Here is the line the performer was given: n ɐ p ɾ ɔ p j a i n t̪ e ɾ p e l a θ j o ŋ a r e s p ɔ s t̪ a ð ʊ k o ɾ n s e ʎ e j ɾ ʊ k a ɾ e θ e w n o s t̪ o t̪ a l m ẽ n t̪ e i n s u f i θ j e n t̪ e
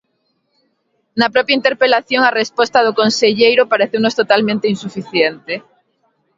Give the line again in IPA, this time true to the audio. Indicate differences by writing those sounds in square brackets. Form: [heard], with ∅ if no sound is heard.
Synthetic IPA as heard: n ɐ p ɾ ɔ p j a i n t̪ e ɾ p e l a θ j o ŋ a r e s p ɔ s t̪ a ð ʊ k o [∅] n s e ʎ e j ɾ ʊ [p] a ɾ e θ e w n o s t̪ o t̪ a l m ẽ n t̪ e i n s u f i θ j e n t̪ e